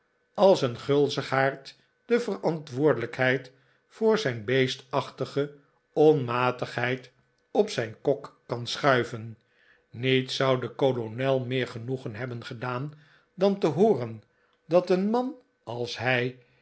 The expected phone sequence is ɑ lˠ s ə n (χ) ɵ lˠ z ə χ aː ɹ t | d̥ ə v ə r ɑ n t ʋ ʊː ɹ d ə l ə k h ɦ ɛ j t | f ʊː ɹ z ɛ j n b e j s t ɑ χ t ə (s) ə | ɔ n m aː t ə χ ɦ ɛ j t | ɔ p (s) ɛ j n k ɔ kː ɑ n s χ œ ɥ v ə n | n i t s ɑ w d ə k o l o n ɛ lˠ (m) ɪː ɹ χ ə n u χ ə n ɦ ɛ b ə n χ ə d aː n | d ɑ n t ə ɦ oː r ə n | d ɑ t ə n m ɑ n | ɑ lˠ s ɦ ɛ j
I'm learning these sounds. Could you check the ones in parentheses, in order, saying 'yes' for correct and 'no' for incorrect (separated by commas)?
yes, no, yes, yes